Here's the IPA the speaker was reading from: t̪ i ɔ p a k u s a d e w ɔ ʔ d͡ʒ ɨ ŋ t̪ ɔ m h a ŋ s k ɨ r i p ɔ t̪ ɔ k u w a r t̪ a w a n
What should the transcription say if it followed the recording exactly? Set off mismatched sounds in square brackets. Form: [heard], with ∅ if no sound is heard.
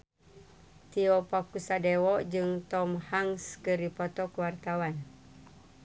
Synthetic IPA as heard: t̪ i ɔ p a k u s a d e w ɔ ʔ d͡ʒ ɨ ŋ t̪ ɔ m h a ŋ s k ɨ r i p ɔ t̪ ɔ k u w a r t̪ a w a n